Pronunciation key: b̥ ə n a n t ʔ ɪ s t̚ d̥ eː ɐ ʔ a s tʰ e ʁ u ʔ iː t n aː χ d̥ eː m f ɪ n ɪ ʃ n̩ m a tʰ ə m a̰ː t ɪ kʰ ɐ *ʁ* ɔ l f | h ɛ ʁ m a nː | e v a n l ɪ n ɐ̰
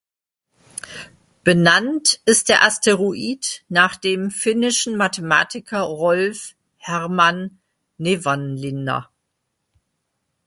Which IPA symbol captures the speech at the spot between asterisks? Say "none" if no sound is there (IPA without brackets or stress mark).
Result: ʁ